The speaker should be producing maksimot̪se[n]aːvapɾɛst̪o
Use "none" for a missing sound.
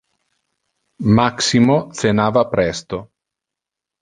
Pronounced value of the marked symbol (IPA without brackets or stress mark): n